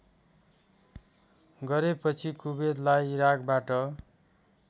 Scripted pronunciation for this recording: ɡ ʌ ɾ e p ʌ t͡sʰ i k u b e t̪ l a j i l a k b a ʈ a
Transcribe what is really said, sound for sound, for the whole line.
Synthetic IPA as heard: ɡ ʌ ɾ e p ʌ t͡sʰ i k u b e d̪ l a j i ɾ a k b a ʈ ʌ